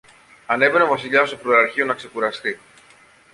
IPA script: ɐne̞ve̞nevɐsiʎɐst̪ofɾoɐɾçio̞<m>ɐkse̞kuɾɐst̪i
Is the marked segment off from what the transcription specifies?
yes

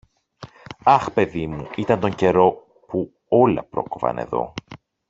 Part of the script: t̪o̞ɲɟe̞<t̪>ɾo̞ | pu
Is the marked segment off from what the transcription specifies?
yes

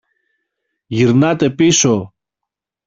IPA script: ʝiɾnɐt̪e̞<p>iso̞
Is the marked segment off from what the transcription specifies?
no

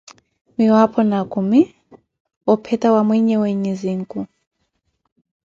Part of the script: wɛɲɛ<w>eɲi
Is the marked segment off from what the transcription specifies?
no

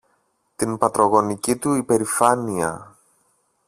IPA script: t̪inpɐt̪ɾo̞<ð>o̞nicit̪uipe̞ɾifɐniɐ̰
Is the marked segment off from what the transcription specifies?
yes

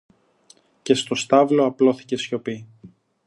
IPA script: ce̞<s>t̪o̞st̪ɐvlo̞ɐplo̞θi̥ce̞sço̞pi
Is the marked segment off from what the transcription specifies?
no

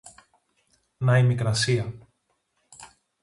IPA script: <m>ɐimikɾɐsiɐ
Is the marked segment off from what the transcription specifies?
yes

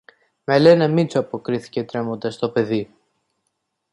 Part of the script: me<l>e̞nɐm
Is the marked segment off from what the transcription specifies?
no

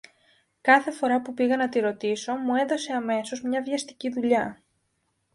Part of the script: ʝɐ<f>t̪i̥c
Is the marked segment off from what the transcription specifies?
yes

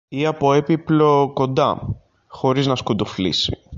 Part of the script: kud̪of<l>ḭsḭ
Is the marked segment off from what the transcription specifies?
no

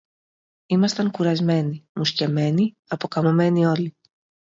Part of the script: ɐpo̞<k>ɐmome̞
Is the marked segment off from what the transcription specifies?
no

